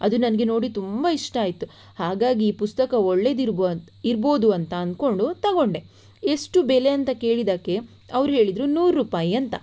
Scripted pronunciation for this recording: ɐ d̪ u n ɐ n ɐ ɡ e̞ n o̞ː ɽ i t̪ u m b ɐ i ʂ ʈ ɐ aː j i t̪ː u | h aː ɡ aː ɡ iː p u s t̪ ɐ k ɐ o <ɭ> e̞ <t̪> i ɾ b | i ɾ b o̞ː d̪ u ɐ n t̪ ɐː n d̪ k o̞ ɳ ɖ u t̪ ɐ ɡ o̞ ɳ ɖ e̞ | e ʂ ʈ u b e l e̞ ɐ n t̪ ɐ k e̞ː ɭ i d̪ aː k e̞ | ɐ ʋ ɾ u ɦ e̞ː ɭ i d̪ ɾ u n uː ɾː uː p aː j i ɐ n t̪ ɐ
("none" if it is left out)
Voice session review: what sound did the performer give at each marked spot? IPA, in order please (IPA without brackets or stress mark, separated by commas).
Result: ɭː, d̪